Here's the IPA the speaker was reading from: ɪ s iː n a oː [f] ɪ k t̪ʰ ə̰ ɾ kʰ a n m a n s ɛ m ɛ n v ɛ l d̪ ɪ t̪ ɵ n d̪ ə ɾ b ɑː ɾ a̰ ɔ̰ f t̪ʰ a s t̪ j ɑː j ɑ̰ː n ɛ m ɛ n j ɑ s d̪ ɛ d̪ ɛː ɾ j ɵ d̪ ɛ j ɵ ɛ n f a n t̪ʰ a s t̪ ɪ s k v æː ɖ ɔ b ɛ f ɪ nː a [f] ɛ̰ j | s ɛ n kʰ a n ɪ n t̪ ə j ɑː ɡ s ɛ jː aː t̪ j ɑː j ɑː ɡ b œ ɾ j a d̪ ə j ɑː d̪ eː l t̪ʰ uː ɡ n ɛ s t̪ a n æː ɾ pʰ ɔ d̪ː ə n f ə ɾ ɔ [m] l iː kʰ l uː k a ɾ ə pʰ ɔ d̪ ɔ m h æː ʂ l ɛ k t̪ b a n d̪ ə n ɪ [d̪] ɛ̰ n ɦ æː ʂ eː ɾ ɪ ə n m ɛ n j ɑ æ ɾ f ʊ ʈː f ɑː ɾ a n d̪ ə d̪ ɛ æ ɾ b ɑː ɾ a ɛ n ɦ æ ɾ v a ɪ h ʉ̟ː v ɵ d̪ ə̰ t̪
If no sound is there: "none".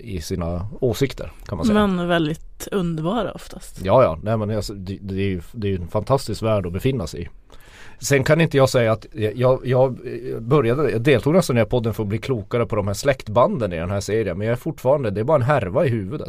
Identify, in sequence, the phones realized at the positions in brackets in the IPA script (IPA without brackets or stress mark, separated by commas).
s, s, b, d̪